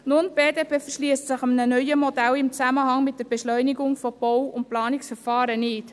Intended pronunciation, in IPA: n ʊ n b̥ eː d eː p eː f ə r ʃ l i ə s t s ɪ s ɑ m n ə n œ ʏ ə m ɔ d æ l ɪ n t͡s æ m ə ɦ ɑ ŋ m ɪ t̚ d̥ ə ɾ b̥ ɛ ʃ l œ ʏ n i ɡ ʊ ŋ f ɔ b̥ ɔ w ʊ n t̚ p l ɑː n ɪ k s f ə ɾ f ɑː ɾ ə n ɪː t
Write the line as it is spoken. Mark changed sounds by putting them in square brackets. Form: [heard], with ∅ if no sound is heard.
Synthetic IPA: n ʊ n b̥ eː d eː p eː f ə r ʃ l i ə s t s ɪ [χ] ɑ m n ə n œ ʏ ə m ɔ d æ l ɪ [m] t͡s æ m ə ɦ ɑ ŋ m ɪ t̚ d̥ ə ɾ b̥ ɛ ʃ l œ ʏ n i ɡ ʊ ŋ f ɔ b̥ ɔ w ʊ n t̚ p l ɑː n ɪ k s f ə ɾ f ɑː ɾ ə n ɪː t